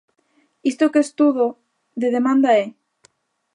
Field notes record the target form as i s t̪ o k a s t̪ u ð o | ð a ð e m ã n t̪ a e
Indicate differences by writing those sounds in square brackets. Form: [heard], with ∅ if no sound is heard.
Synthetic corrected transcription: i s t̪ o k [e] s t̪ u ð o | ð [e] ð e m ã n [d̪] a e